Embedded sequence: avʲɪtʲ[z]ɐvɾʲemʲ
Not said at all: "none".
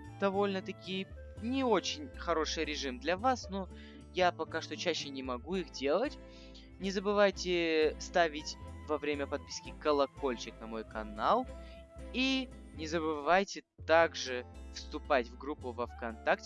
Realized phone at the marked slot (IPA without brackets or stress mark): v